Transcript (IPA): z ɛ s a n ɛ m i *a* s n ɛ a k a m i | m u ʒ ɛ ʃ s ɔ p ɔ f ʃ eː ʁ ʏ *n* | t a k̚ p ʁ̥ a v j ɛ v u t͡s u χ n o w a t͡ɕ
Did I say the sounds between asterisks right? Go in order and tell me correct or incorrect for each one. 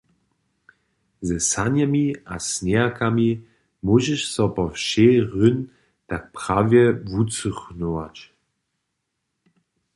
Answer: correct, correct

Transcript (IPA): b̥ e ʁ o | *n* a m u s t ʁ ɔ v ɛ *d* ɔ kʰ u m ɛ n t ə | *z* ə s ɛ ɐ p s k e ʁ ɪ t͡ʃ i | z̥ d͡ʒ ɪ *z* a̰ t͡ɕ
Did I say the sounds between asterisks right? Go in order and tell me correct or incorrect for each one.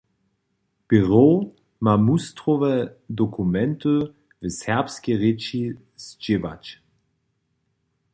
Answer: incorrect, correct, incorrect, incorrect

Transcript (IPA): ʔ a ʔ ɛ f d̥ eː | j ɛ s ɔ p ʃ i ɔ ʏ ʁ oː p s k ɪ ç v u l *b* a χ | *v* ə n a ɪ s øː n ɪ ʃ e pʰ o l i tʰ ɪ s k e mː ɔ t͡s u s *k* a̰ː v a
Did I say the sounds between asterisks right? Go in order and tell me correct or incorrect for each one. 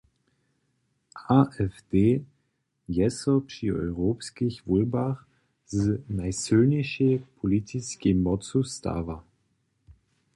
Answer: correct, incorrect, incorrect

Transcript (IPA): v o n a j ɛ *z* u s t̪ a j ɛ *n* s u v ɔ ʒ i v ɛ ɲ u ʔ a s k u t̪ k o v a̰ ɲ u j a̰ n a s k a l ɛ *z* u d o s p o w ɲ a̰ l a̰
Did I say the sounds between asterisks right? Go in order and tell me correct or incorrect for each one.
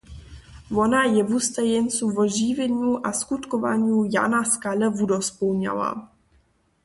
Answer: incorrect, correct, incorrect

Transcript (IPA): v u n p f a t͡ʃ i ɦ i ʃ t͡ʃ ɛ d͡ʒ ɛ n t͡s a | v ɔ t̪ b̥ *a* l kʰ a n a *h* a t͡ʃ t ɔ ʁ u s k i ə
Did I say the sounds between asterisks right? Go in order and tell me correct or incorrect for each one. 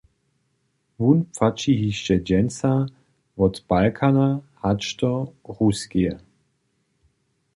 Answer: correct, correct

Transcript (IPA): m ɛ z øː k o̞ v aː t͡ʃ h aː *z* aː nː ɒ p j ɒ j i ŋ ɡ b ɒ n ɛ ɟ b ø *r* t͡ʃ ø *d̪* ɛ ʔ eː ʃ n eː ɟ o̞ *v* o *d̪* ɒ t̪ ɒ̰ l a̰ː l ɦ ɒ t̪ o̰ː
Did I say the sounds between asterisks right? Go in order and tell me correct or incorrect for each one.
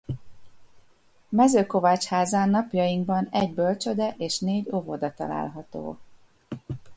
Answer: correct, incorrect, correct, correct, correct

